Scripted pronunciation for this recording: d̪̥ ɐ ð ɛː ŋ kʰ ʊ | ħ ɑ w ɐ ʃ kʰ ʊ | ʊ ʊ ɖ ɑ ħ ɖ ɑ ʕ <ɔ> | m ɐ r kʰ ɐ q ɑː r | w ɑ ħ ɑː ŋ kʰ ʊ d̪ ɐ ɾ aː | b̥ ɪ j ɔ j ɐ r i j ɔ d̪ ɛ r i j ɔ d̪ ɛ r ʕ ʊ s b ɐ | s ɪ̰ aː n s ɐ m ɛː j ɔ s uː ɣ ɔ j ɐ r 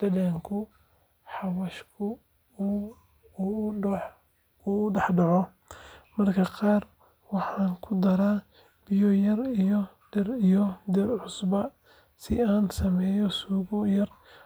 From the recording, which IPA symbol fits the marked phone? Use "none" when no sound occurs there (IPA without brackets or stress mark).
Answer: ɔ